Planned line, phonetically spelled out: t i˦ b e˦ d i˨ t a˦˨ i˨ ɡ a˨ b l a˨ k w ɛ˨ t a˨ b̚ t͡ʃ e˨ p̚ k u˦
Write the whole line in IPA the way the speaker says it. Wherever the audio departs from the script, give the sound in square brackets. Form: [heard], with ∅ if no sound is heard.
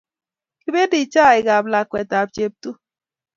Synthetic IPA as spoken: [k] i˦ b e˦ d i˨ [t͡ʃ] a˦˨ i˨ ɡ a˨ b l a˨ k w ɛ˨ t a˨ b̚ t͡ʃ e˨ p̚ [t] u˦